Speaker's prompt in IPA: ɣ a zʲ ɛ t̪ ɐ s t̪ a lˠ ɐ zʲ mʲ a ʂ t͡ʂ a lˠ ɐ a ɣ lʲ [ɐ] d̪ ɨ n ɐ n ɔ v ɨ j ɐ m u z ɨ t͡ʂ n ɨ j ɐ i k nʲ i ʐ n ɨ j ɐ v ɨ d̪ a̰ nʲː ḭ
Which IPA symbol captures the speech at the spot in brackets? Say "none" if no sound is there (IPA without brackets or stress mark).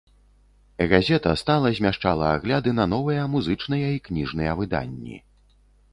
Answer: a